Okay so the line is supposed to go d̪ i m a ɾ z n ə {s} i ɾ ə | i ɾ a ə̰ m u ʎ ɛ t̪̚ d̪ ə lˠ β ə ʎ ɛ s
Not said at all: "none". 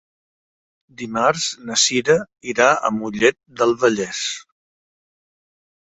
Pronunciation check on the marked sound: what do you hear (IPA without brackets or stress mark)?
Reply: s